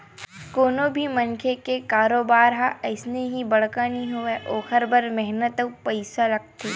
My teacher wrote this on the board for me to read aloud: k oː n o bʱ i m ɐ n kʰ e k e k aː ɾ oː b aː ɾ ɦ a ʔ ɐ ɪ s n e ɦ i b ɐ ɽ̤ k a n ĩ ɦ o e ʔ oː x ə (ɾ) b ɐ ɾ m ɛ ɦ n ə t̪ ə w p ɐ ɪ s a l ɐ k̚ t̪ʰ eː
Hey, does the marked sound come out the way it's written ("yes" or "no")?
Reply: yes